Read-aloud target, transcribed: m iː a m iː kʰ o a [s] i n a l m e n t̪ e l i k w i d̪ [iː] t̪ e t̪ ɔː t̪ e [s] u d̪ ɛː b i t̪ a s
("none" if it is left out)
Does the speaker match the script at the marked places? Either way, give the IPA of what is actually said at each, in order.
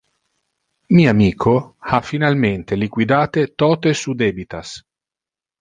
f, aː, s

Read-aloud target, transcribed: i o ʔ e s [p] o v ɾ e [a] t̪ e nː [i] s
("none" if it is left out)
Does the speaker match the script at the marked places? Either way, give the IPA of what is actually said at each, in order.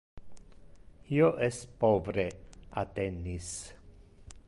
p, a, i

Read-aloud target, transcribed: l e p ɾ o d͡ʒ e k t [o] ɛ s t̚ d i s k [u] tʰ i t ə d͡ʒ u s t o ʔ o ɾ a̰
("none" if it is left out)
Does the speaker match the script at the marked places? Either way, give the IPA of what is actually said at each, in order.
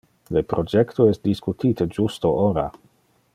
o, u

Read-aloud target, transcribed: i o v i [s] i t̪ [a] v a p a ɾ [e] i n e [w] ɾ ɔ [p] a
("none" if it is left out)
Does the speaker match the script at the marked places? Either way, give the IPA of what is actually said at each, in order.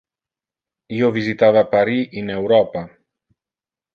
z, a, i, w, p

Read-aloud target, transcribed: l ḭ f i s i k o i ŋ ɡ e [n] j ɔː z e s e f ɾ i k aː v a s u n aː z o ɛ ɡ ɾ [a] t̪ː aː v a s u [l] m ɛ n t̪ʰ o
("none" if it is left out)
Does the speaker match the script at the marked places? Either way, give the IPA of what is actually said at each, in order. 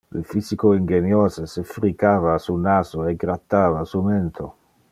n, a, none

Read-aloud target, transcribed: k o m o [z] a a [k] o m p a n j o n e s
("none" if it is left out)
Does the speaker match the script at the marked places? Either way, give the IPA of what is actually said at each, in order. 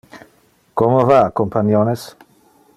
v, k

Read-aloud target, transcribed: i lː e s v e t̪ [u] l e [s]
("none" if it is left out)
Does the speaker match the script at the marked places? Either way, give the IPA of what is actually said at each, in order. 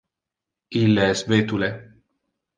u, none

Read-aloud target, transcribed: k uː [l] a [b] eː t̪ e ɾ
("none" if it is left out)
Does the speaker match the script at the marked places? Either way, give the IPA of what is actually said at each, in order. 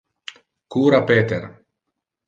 ɾ, p

